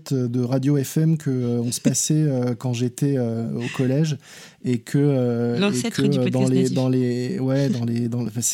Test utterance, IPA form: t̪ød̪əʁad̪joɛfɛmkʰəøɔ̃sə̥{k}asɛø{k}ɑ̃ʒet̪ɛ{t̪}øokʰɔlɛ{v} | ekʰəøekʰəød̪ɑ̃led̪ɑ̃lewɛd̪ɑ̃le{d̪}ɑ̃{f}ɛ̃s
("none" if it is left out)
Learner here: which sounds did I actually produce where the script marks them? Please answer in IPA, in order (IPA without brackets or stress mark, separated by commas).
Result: p, k, none, ʒ, d̪, f